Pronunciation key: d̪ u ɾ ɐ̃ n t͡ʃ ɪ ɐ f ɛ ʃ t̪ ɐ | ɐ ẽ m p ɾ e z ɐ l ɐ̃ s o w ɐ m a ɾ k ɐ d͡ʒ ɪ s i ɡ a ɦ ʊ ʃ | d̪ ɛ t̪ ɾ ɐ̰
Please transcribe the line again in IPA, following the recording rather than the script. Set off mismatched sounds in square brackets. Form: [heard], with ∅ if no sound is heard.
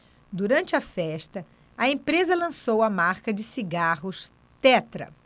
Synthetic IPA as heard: d̪ u ɾ ɐ̃ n t͡ʃ ɪ ɐ f ɛ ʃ t̪ ɐ | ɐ ẽ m p ɾ e z ɐ l ɐ̃ s o w ɐ m a ɾ k ɐ d͡ʒ ɪ s i ɡ a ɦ ʊ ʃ | [t̪] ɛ t̪ ɾ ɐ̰